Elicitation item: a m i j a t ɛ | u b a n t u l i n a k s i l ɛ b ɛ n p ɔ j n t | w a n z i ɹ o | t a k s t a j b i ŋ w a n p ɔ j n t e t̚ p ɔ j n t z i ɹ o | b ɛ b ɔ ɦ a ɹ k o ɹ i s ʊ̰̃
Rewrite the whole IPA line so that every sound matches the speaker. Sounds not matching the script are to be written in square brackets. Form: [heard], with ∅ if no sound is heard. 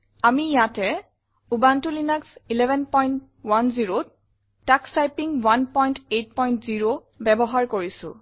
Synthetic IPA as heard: a m i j a t ɛ | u b a n t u l i n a k s i l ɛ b ɛ n p ɔ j n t | w a n z i ɹ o | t a k s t a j [p] i ŋ w a n p ɔ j n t e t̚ p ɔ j n t z i ɹ o | b ɛ b ɔ ɦ a ɹ k o ɹ i s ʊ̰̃